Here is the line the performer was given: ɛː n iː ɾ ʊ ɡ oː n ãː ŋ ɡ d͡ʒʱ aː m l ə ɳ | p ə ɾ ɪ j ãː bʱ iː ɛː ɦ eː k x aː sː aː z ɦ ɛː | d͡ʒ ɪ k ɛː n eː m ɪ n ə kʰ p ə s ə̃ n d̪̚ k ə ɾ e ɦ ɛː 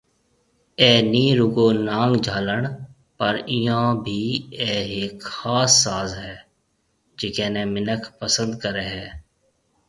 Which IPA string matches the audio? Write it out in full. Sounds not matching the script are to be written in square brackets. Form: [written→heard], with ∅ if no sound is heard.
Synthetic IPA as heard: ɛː n iː ɾ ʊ ɡ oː n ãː ŋ ɡ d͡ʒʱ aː [m→∅] l ə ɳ | p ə ɾ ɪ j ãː bʱ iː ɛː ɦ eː k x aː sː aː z ɦ ɛː | d͡ʒ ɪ k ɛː n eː m ɪ n ə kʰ p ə s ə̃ n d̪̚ k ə ɾ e ɦ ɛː